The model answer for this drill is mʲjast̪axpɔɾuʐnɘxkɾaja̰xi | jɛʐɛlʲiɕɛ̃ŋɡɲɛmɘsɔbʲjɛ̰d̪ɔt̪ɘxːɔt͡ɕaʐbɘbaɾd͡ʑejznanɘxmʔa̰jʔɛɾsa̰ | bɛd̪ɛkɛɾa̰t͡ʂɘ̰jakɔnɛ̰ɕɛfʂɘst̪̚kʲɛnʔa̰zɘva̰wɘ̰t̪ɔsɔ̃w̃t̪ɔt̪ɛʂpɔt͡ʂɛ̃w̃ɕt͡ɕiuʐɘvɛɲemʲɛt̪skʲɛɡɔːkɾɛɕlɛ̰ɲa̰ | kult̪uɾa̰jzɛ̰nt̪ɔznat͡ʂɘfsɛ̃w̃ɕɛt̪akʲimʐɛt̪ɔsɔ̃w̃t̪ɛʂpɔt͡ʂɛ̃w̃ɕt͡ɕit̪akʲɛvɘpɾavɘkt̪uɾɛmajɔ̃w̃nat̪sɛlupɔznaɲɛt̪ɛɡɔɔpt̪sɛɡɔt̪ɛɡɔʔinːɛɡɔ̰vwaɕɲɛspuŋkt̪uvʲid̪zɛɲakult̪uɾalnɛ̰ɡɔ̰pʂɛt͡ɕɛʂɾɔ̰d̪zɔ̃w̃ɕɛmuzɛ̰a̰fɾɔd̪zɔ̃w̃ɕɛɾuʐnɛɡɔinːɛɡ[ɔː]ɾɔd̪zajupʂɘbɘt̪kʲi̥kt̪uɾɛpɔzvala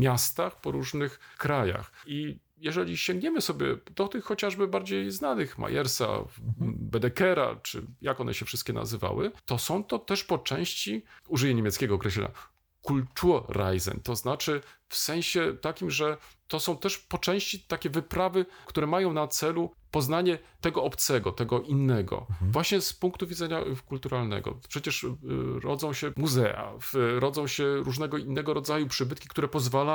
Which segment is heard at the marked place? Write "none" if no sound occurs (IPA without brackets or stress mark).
ɔ